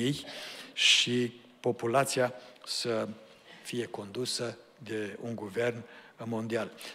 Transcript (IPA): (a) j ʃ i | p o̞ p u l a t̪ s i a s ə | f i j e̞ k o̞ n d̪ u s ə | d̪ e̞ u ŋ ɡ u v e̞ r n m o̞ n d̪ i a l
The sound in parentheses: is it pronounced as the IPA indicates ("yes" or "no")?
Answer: no